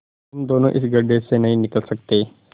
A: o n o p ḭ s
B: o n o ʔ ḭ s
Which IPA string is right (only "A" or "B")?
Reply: B